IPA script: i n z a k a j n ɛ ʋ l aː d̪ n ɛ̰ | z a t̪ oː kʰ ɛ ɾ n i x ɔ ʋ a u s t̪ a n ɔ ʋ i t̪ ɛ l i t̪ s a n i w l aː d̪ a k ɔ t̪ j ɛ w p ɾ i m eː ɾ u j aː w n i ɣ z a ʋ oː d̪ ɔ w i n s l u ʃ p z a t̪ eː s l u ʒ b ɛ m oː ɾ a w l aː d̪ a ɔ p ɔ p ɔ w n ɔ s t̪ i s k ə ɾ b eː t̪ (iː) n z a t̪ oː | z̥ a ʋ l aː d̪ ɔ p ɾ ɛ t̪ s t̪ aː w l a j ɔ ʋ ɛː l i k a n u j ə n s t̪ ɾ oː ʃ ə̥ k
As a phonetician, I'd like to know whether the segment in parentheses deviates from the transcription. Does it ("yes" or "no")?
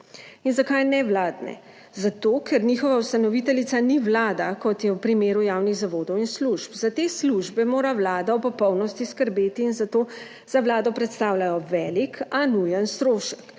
no